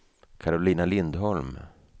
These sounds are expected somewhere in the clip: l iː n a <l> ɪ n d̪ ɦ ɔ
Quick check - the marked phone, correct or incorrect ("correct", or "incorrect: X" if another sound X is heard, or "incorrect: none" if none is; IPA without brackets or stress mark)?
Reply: correct